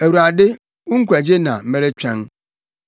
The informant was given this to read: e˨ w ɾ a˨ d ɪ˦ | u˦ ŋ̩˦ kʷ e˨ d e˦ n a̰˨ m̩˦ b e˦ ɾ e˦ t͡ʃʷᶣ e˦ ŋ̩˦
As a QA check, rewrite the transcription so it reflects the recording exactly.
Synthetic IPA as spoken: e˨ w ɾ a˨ d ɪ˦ | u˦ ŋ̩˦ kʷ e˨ d͡ʒ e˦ n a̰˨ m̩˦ m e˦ ɾ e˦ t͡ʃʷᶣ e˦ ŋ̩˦